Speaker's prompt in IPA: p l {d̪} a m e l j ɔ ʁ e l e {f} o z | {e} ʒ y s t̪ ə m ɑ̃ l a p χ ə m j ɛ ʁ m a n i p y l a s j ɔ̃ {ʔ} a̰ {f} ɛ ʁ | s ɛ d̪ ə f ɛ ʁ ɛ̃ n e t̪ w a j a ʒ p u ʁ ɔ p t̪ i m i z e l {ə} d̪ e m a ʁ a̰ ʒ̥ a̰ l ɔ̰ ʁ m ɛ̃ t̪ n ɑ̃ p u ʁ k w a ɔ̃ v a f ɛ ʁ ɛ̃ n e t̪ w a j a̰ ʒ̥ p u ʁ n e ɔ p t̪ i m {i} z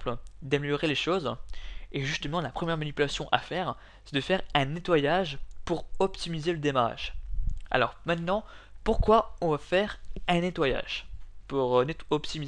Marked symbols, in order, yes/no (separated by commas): yes, no, yes, yes, yes, yes, yes